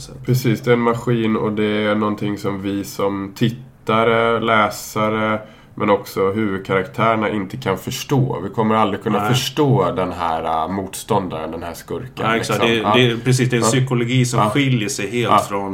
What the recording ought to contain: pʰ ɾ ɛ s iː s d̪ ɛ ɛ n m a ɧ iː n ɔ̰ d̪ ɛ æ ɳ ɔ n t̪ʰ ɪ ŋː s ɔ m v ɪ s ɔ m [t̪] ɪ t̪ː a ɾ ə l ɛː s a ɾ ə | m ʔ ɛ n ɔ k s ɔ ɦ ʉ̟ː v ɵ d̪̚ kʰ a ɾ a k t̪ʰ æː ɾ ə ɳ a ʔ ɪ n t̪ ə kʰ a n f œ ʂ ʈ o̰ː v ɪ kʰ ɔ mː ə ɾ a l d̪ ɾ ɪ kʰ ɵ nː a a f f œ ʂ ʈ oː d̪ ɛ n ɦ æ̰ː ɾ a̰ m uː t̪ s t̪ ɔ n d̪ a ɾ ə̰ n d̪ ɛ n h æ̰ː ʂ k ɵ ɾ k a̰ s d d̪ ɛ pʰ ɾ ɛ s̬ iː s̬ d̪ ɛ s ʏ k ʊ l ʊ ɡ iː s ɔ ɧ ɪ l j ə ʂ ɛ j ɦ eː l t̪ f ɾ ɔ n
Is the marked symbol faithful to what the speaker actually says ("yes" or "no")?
no